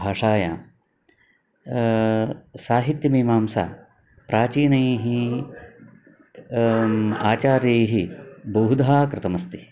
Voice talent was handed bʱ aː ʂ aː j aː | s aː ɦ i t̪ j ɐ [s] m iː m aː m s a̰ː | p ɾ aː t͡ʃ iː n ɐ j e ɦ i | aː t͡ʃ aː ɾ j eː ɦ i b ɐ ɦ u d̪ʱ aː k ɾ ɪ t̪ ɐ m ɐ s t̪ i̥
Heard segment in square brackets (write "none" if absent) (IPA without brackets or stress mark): none